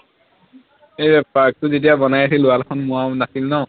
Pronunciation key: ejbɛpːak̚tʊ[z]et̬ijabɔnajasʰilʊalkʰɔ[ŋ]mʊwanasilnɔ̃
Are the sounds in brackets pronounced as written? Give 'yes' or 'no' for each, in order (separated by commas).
yes, no